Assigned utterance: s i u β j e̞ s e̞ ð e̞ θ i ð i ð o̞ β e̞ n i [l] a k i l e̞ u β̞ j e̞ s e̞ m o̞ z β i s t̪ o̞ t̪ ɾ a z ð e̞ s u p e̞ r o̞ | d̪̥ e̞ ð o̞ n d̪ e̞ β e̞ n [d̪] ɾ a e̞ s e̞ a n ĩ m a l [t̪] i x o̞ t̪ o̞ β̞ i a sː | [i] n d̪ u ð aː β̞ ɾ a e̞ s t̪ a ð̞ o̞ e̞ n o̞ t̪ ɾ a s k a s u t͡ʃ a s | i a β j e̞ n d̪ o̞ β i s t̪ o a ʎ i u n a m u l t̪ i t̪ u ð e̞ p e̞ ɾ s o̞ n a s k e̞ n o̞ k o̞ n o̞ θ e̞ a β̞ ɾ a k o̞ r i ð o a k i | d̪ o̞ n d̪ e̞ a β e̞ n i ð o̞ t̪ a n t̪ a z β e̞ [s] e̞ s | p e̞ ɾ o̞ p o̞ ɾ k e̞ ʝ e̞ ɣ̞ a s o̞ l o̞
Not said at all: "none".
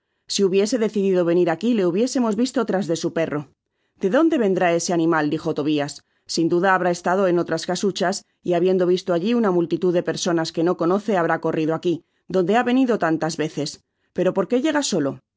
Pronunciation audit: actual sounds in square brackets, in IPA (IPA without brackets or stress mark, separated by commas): ɾ, d̪, d̪, i, θ